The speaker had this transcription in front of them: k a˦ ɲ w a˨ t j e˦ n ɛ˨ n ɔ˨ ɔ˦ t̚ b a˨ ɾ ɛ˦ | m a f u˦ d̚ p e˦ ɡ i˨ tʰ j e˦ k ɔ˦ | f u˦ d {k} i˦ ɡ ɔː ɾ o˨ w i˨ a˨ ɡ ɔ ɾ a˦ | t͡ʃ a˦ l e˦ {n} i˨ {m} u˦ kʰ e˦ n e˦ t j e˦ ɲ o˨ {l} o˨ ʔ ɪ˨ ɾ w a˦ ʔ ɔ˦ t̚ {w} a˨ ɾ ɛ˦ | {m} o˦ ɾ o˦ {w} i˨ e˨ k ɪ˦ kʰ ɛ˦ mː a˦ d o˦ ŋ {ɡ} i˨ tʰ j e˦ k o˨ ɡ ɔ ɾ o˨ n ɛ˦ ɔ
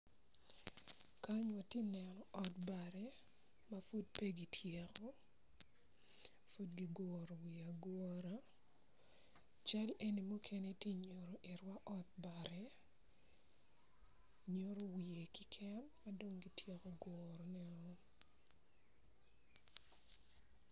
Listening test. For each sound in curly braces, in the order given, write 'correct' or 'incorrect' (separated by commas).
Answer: incorrect, correct, correct, incorrect, incorrect, incorrect, correct, correct